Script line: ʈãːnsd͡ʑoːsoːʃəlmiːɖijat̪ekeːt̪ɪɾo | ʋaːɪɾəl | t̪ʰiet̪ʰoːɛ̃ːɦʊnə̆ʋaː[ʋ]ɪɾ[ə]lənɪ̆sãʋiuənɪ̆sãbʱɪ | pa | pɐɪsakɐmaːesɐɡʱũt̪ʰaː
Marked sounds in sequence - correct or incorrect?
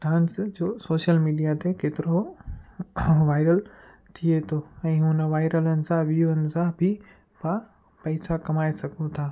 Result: incorrect, correct

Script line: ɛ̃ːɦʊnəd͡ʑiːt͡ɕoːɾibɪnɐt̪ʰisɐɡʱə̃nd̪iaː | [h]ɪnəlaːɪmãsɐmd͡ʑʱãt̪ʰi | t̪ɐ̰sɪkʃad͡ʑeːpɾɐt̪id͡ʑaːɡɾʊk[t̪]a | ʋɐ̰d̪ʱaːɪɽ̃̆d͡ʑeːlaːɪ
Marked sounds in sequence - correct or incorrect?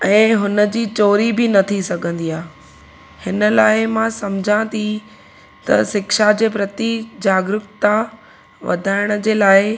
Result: correct, correct

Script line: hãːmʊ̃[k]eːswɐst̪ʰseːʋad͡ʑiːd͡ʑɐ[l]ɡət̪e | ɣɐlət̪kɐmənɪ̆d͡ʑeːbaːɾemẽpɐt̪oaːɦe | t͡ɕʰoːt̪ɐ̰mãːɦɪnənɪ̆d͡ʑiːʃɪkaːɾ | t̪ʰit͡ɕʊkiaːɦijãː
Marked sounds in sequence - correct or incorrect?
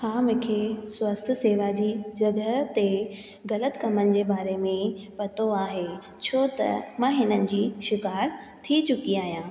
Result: incorrect, incorrect

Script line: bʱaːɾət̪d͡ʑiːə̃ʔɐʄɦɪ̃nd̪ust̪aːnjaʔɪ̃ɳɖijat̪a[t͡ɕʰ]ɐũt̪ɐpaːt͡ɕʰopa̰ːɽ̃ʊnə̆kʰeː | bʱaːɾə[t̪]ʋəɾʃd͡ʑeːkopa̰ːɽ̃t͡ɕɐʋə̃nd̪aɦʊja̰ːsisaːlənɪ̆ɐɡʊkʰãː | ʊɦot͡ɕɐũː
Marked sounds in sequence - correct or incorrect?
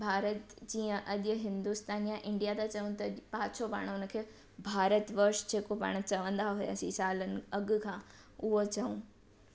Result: incorrect, correct

